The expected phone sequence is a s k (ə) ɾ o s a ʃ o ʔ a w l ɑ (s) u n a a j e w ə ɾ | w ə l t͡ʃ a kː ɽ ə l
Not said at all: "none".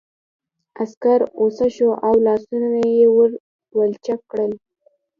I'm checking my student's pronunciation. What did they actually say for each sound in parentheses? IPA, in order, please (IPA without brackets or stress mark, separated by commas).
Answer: a, s